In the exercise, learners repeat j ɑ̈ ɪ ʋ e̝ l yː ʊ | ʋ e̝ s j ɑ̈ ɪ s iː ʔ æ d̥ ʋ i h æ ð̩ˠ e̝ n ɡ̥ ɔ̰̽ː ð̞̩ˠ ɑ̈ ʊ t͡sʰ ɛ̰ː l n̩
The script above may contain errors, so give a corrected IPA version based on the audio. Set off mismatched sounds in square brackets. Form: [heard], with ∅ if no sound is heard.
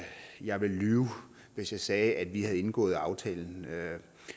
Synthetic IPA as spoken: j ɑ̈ ɪ ʋ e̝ l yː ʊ | ʋ e̝ s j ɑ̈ ɪ s [ɛː] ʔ æ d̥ ʋ i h æ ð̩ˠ e̝ n ɡ̥ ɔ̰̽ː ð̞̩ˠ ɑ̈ ʊ t͡sʰ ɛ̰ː l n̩